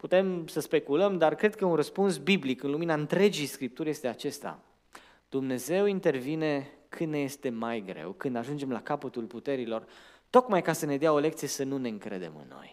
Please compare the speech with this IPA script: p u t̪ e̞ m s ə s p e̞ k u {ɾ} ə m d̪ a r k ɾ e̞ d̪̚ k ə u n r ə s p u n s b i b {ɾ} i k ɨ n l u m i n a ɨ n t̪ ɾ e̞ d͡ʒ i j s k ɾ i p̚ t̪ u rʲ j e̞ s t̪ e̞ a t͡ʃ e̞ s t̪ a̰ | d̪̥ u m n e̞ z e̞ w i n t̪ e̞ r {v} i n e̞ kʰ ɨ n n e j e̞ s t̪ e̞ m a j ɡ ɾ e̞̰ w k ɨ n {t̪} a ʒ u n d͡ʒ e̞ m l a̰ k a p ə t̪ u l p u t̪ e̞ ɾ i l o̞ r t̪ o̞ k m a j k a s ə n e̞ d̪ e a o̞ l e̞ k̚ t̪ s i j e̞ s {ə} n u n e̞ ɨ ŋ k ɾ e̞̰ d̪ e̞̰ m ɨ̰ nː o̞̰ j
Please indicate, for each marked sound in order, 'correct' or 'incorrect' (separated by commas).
incorrect, incorrect, correct, incorrect, correct